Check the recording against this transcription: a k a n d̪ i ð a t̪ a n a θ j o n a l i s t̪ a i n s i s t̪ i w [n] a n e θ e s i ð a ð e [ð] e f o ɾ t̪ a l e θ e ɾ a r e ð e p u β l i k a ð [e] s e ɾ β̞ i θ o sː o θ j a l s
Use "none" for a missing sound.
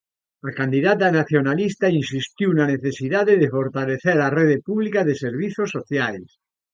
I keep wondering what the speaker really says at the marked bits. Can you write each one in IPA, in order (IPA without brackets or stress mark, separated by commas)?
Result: n, ð, e